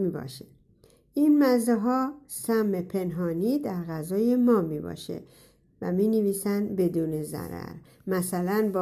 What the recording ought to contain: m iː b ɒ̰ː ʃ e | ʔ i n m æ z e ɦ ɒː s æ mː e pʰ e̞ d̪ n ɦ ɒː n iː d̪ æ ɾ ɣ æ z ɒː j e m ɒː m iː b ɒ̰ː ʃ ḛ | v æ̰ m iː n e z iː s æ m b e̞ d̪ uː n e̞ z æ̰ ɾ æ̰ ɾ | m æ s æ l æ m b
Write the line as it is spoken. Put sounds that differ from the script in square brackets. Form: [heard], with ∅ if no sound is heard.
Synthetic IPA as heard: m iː b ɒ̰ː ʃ e | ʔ i n m æ z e ɦ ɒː s æ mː e pʰ e̞ [∅] n ɦ ɒː n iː d̪ æ ɾ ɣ æ z ɒː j e m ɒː m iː b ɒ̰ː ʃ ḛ | v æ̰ m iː n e [v] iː s æ [n] b e̞ d̪ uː n e̞ z æ̰ ɾ æ̰ ɾ | m æ s æ l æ [n] b